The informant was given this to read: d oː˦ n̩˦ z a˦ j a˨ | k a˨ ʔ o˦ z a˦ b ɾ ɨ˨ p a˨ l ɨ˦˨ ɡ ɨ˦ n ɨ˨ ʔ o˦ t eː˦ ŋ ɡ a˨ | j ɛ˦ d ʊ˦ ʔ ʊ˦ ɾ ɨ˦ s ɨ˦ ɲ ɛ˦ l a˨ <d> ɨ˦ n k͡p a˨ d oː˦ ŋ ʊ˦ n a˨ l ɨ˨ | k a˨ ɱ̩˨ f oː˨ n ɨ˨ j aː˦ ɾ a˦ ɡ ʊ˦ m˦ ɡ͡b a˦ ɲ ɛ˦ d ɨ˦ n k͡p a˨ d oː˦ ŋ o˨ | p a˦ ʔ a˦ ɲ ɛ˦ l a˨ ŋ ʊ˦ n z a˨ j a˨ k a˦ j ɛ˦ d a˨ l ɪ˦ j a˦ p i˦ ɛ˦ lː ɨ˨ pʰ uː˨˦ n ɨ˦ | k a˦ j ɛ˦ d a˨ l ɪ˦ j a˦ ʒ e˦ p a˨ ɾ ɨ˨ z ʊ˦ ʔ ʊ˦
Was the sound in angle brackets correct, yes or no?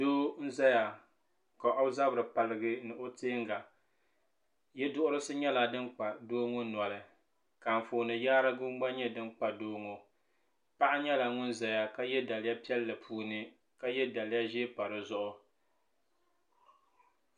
yes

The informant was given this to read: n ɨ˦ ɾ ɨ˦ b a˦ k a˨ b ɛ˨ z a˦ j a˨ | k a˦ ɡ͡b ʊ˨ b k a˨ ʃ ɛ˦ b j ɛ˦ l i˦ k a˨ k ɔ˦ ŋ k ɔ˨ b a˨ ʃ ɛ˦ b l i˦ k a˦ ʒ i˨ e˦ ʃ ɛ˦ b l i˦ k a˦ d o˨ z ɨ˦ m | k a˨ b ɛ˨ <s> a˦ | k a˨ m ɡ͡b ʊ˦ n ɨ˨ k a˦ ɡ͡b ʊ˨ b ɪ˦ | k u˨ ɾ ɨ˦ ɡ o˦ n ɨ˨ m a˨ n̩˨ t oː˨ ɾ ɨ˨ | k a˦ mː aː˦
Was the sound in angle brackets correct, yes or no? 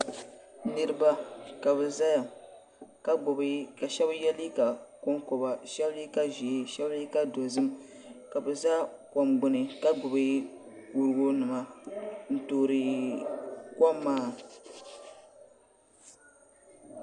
no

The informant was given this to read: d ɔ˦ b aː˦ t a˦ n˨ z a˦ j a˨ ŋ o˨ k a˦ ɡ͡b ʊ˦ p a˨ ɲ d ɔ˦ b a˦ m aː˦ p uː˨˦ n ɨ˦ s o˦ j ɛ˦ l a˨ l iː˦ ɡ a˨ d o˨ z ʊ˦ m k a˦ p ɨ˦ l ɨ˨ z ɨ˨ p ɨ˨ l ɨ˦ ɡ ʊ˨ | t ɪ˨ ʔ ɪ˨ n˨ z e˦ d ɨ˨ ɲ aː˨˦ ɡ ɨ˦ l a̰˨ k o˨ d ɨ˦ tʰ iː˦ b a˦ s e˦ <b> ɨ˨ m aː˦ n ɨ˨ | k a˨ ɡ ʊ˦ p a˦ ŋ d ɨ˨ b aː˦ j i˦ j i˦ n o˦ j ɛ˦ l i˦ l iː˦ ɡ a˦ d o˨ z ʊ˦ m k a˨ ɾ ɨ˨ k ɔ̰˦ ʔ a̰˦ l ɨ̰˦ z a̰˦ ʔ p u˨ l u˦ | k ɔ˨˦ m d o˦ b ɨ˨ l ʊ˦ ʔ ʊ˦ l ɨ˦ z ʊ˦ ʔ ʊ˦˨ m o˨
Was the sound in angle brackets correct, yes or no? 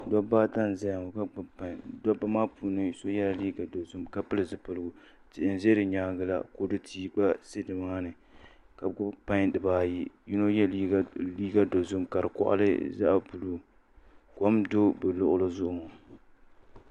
no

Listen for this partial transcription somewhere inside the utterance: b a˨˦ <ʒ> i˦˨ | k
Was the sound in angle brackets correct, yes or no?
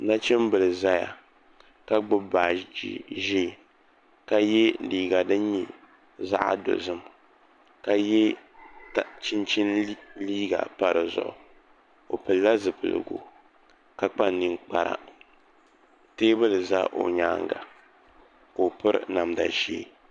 yes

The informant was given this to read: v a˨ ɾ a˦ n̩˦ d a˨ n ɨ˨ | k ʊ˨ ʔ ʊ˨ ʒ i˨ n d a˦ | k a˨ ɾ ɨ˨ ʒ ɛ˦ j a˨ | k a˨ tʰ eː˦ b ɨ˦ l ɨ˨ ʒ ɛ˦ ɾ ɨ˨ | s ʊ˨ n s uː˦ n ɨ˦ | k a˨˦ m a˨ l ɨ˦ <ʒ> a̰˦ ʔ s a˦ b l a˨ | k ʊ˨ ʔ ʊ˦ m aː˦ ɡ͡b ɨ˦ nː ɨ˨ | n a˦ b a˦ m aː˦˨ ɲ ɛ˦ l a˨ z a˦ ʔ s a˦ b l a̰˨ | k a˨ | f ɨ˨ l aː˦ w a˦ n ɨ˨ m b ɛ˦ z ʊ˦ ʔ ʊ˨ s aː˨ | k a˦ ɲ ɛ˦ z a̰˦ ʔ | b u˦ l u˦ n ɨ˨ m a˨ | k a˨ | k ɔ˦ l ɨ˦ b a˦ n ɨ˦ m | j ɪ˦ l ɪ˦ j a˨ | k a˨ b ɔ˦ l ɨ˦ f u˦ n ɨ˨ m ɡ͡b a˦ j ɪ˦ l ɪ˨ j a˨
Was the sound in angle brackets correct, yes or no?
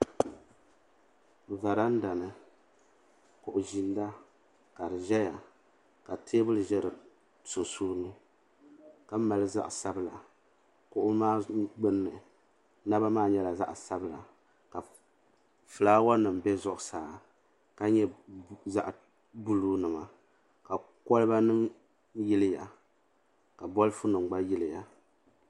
no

